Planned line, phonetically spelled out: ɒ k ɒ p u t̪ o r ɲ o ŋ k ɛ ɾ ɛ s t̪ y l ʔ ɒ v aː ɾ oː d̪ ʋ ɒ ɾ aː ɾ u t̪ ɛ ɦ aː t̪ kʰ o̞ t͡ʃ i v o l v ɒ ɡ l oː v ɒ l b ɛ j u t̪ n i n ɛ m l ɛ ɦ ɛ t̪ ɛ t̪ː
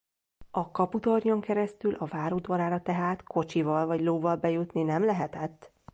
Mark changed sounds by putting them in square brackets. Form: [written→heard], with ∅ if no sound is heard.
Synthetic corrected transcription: ɒ k ɒ p u t̪ o r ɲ o ŋ k ɛ ɾ ɛ s t̪ y l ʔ ɒ v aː ɾ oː d̪ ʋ ɒ ɾ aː ɾ [u→ɒ] t̪ ɛ ɦ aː t̪ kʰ o̞ t͡ʃ i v [o→ɒ] l v ɒ [ɡ→ɟ] l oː v ɒ l b ɛ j u t̪ n i n ɛ m l ɛ ɦ ɛ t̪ ɛ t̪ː